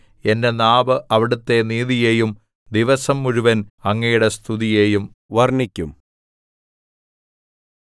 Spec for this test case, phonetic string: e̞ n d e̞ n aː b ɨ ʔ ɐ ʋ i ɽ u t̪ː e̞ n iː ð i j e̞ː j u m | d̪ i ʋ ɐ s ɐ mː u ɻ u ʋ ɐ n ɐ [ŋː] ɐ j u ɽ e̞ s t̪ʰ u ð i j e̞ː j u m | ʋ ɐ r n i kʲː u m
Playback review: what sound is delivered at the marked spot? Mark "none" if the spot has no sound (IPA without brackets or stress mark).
ŋː